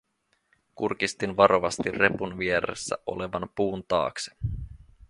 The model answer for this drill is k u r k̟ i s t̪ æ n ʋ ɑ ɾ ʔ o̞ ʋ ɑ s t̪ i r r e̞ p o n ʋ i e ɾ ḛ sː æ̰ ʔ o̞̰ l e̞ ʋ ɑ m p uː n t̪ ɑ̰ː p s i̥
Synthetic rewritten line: k u r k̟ i s t̪ i n ʋ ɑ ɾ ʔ o̞ ʋ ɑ s t̪ i r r e̞ p u n ʋ i e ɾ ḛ sː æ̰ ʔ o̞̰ l e̞ ʋ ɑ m p uː n t̪ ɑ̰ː k s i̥